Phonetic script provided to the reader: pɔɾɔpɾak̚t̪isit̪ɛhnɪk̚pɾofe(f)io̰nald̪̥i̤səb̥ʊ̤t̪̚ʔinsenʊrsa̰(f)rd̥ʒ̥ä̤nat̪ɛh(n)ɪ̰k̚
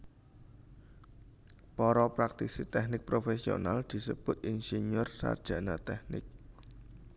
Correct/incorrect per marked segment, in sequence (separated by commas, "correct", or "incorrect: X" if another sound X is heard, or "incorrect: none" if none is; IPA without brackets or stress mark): incorrect: s, incorrect: none, correct